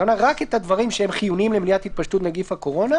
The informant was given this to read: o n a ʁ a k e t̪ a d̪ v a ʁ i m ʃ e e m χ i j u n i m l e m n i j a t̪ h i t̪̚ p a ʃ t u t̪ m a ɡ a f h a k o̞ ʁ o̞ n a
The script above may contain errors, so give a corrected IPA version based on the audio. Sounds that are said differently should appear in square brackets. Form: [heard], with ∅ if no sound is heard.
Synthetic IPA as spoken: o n a ʁ a k e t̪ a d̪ v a ʁ i m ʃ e e m χ i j u n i m l e m n i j a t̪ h i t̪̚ p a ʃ t u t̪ [n] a ɡ [i] f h a k o̞ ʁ o̞ n a